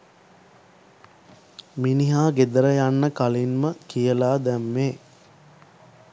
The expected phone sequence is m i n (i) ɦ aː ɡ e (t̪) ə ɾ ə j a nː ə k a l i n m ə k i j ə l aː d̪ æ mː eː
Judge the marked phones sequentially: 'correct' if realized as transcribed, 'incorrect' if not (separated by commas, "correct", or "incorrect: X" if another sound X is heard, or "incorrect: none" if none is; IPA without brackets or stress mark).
correct, incorrect: d̪